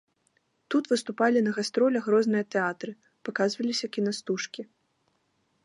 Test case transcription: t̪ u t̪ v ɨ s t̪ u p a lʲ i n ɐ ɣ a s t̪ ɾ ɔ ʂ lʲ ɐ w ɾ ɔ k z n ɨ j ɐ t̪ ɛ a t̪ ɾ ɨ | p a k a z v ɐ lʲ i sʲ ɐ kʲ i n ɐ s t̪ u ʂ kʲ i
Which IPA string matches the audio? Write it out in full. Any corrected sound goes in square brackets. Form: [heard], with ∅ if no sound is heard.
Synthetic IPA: t̪ u t̪ v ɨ s t̪ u p a lʲ i n ɐ ɣ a s t̪ ɾ ɔ [∅] lʲ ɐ [ɣ] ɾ ɔ [∅] z n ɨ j ɐ t̪ ɛ a t̪ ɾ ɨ | p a k a z v ɐ lʲ i sʲ ɐ kʲ i n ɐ s t̪ u ʂ kʲ i